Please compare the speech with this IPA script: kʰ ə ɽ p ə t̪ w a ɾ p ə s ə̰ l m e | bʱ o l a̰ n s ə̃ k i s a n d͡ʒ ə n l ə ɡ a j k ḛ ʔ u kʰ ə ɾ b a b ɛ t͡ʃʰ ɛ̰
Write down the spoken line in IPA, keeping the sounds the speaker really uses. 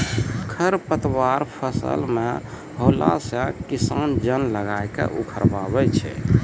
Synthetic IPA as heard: kʰ ə ɾ p ə t̪ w a ɾ pʰ ə s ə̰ l m e | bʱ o l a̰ s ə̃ k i s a n d͡ʒ ə n l ə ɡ a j k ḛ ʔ u kʰ ə ɾ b a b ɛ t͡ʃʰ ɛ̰